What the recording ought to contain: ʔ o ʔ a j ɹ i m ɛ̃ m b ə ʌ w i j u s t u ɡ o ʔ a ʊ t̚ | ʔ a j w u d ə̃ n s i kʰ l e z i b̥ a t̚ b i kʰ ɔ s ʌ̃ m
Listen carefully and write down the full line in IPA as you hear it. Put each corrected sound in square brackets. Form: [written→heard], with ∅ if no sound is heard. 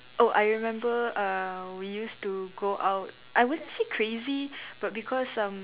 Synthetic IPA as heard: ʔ o ʔ a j ɹ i m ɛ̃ m b ə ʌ w i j u s t u ɡ o ʔ a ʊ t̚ | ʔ a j w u d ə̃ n s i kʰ [l→ɹ] e z i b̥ a t̚ b i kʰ ɔ s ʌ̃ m